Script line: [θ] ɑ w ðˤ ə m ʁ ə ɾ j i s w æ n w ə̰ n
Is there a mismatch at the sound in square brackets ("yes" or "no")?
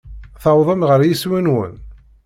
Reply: no